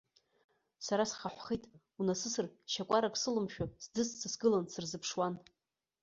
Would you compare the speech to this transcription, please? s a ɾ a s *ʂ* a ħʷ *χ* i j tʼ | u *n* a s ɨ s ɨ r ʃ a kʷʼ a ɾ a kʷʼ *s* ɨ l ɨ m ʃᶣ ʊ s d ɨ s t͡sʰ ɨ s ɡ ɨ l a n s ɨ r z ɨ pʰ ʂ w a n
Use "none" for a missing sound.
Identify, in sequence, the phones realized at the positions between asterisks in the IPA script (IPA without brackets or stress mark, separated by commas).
χ, χ, n, s